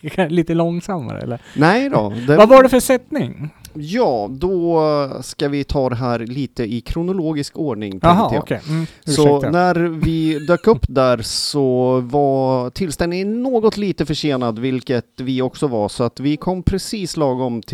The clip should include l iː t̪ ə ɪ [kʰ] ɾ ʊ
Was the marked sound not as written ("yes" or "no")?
no